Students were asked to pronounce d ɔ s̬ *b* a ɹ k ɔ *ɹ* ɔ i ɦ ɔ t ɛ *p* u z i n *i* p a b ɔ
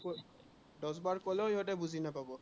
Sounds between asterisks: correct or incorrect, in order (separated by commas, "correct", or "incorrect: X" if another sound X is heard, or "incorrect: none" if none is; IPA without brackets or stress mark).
correct, incorrect: l, incorrect: b, incorrect: a